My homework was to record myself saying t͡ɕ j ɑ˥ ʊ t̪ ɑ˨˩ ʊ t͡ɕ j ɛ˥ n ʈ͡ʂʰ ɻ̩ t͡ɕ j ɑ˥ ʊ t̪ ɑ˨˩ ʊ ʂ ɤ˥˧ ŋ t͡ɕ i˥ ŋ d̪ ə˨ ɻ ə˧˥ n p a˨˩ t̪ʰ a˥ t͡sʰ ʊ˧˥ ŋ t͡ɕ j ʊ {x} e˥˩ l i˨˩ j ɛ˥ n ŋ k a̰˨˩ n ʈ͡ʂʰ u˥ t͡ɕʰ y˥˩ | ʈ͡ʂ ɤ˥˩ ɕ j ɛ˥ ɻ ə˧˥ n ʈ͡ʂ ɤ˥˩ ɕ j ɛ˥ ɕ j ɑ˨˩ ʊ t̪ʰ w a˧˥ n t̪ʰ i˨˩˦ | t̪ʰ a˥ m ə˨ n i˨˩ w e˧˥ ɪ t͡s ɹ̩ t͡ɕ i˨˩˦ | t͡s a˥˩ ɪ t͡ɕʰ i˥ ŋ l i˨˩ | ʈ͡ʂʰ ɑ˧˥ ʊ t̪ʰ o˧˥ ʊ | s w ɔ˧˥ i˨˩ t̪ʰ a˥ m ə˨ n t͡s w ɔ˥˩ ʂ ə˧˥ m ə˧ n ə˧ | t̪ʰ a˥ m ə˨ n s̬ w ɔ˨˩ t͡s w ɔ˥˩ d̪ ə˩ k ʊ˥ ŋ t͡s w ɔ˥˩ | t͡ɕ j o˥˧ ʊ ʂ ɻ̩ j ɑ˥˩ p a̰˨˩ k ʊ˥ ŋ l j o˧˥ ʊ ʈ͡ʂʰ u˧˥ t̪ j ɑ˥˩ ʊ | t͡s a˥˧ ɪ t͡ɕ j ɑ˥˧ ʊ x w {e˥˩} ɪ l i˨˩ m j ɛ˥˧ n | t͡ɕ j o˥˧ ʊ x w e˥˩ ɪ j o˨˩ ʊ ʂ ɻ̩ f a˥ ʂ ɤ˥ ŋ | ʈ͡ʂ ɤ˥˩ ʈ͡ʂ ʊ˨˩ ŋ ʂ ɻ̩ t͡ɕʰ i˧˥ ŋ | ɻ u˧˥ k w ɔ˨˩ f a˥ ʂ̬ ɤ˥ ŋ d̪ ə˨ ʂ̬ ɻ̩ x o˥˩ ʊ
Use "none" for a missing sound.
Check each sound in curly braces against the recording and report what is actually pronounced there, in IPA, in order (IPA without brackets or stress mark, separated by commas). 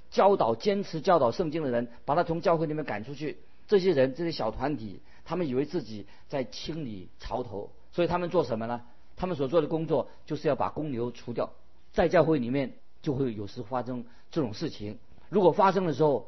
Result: x, e˥˩